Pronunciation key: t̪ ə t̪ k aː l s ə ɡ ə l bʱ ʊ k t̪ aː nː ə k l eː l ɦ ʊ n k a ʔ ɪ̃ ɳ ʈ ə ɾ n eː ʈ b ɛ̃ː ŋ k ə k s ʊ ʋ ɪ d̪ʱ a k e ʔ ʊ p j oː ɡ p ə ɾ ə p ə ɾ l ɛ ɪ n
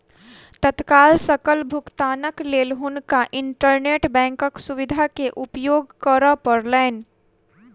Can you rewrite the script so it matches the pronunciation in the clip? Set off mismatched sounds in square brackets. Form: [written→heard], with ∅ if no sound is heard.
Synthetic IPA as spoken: t̪ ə t̪ k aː l s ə [ɡ→k] ə l bʱ ʊ k t̪ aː [nː→n] ə k l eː l ɦ ʊ n k a ʔ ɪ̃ ɳ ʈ ə ɾ n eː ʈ b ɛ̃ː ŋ k ə k s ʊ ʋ ɪ d̪ʱ a k e ʔ ʊ p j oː ɡ [p→k] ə ɾ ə p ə ɾ l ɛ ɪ n